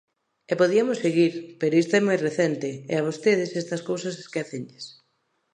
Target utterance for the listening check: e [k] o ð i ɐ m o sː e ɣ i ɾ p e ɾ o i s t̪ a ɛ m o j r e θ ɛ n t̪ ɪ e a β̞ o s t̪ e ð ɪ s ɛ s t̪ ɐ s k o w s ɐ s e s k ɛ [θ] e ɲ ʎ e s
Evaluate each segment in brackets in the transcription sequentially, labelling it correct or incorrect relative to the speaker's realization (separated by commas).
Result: incorrect, correct